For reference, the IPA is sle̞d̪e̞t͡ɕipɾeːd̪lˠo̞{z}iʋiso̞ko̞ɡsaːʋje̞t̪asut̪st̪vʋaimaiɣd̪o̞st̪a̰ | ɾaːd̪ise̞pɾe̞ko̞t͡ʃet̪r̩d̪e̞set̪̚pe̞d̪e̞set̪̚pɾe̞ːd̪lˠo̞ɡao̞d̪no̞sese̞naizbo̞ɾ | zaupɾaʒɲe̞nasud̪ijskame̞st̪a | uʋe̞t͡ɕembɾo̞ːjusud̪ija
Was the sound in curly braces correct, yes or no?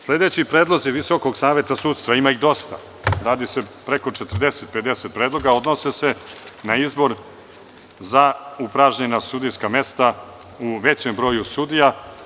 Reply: yes